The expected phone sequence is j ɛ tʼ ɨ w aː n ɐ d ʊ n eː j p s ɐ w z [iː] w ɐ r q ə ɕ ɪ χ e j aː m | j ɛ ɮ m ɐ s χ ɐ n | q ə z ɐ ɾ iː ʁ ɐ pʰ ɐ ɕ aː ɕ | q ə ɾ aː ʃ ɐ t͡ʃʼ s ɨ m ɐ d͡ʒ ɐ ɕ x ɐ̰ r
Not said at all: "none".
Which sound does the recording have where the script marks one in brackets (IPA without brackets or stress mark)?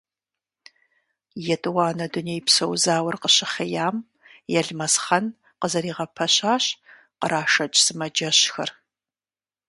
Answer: aː